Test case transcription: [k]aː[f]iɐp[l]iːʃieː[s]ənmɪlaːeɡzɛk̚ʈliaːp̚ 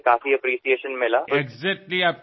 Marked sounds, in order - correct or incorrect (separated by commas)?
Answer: correct, correct, incorrect, incorrect